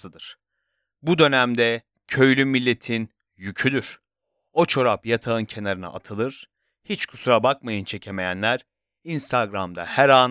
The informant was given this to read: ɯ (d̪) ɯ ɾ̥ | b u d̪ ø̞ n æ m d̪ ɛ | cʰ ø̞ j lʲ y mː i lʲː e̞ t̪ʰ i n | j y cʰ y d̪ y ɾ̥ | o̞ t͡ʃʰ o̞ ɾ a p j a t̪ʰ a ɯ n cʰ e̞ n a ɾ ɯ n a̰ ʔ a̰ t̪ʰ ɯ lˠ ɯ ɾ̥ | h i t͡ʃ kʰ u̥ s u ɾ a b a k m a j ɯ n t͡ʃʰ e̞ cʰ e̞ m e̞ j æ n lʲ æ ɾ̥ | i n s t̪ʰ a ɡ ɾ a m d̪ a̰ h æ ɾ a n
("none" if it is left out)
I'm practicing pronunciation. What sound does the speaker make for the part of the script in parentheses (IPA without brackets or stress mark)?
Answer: d̪